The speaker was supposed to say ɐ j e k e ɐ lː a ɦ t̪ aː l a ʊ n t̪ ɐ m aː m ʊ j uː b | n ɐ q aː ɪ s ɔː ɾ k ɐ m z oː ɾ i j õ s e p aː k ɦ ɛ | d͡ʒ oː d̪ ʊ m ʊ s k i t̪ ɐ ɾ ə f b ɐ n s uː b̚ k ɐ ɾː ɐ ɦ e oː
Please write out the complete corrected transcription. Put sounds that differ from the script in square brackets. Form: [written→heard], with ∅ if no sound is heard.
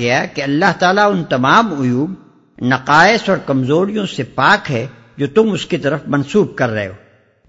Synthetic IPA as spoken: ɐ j [e→a] k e ɐ lː a ɦ t̪ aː l a ʊ n t̪ ɐ m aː m ʊ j uː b | n ɐ q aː ɪ s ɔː ɾ k ɐ m z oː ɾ i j õ s e p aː k ɦ ɛ | d͡ʒ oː [d̪→t̪] ʊ m ʊ s k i t̪ ɐ ɾ ə f [b→m] ɐ n s uː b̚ k ɐ ɾː ɐ ɦ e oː